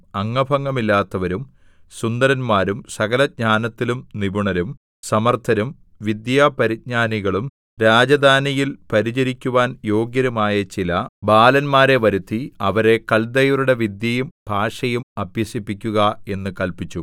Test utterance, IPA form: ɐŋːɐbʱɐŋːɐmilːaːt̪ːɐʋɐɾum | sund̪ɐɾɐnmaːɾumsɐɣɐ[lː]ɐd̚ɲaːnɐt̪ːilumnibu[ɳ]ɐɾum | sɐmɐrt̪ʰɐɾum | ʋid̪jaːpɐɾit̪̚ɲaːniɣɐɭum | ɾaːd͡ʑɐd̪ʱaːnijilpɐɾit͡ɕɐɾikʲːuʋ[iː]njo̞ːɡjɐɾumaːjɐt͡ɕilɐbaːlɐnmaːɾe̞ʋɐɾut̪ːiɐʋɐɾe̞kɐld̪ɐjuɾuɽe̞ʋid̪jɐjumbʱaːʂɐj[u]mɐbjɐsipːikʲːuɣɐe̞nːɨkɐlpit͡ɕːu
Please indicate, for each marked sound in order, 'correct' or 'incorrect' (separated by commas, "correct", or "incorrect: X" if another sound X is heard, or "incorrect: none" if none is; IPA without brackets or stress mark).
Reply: incorrect: l, correct, incorrect: aː, correct